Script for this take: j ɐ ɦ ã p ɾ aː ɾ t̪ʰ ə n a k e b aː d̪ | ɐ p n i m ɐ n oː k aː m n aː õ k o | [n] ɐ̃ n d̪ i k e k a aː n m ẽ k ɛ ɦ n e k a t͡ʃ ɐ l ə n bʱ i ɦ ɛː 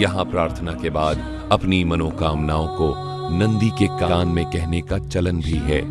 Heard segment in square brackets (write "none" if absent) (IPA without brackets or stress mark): n